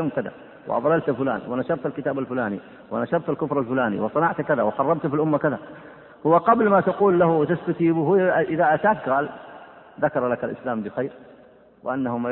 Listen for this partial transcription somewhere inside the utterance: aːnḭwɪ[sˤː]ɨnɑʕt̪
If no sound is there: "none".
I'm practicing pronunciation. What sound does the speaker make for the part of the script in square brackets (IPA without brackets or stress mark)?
sˤ